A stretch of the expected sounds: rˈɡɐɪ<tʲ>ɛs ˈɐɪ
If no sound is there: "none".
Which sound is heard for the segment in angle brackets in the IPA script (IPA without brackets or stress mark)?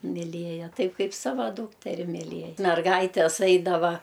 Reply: tʲ